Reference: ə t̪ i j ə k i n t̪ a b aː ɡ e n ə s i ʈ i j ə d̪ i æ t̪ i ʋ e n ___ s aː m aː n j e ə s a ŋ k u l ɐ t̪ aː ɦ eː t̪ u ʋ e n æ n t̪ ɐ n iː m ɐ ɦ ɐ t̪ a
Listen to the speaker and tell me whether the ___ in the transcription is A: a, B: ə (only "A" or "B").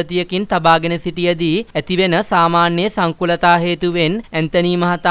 B